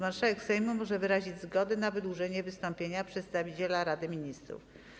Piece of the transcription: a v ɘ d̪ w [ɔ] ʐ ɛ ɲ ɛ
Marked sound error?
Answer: yes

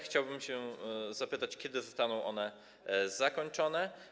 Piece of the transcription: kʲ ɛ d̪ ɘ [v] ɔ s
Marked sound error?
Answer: yes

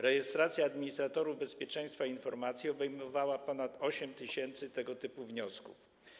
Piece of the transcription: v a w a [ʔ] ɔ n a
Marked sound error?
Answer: yes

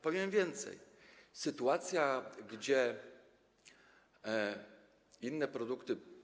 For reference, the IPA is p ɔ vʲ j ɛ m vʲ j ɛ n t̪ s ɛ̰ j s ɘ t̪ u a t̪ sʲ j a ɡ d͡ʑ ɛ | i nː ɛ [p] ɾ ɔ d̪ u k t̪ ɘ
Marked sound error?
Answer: no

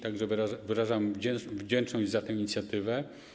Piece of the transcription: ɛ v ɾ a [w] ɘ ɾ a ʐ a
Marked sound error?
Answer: yes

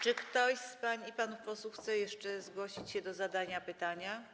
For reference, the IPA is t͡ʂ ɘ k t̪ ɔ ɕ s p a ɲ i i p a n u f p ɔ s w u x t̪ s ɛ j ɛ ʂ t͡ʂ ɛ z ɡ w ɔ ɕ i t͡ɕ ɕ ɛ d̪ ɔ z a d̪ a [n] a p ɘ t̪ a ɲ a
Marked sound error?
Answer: yes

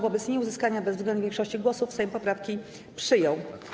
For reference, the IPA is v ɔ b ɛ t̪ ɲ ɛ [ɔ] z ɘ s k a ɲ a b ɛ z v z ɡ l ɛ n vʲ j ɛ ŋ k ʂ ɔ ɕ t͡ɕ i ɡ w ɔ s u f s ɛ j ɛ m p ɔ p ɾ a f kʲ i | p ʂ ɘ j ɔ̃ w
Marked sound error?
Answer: yes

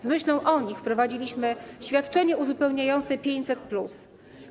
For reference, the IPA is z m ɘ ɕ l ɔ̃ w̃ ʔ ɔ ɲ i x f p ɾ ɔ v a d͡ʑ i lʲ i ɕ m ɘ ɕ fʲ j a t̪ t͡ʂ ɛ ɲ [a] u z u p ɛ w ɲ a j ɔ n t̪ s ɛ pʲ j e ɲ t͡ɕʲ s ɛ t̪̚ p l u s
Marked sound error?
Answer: yes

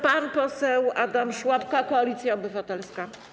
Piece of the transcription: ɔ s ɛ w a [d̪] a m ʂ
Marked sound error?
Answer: no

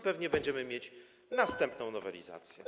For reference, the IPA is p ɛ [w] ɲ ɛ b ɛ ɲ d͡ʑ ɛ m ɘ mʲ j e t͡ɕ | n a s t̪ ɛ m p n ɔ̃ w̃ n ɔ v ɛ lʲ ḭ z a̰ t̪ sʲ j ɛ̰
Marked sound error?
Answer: yes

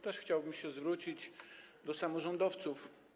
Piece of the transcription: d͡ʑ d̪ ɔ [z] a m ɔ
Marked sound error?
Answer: yes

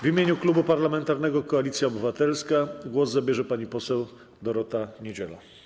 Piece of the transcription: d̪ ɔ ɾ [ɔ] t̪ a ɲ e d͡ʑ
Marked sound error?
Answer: no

